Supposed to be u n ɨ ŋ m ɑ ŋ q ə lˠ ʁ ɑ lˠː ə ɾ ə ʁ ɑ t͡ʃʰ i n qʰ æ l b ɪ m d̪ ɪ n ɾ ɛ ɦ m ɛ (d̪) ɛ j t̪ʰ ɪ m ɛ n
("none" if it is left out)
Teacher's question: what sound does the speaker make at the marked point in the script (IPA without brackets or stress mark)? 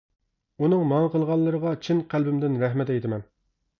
t̪